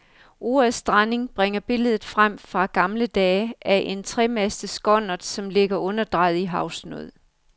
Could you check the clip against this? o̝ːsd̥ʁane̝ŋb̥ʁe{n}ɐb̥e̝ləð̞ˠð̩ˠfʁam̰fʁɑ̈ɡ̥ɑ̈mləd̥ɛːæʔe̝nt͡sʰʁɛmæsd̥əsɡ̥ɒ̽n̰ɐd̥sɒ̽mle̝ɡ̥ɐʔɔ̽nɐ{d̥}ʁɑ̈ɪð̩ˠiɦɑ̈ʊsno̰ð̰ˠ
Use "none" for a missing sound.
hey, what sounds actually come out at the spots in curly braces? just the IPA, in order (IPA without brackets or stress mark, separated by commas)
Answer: ŋ, d̥